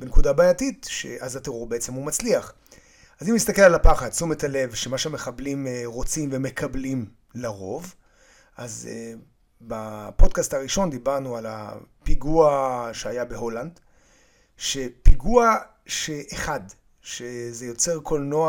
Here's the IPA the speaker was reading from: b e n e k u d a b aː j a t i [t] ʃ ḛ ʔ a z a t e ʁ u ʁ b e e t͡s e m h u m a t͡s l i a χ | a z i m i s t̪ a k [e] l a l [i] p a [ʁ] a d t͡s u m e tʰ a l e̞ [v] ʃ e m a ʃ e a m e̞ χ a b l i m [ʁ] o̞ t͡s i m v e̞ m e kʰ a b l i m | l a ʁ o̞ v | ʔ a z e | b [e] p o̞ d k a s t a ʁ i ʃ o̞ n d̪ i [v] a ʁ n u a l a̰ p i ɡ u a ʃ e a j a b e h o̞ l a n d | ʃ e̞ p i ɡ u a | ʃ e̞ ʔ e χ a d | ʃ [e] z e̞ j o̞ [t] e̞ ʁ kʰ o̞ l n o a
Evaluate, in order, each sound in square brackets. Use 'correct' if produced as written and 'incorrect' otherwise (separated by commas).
correct, correct, incorrect, incorrect, correct, correct, incorrect, incorrect, correct, incorrect